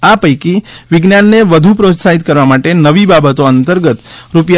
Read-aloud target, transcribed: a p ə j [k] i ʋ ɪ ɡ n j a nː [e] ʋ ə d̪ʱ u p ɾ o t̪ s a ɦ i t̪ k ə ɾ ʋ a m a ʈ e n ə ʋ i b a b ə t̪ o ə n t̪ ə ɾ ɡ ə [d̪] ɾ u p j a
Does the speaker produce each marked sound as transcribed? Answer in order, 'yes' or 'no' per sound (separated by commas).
yes, yes, no